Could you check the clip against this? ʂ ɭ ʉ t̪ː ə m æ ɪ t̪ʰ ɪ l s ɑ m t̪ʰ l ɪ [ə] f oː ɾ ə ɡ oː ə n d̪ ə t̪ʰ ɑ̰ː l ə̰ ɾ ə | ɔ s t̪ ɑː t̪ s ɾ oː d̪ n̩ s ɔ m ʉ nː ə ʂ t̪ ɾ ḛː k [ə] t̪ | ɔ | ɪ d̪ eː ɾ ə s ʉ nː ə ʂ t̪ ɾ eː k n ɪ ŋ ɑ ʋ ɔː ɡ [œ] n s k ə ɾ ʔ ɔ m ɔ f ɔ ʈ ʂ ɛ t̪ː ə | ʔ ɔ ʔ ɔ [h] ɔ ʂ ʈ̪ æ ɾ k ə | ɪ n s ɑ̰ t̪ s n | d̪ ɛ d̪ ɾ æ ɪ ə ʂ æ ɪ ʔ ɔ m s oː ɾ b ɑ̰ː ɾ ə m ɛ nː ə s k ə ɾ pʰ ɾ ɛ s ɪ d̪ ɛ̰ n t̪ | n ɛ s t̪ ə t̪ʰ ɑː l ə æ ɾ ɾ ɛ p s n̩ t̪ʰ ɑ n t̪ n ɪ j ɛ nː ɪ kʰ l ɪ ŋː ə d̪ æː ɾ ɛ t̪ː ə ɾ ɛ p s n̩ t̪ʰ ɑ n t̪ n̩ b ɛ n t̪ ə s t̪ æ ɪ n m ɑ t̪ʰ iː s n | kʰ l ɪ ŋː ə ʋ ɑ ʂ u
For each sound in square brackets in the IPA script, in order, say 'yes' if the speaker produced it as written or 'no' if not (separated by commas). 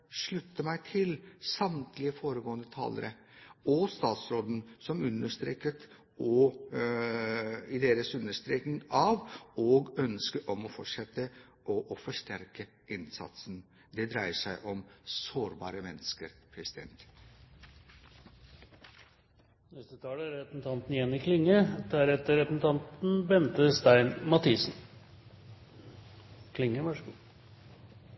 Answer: yes, yes, yes, no